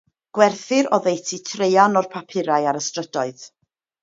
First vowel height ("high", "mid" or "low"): mid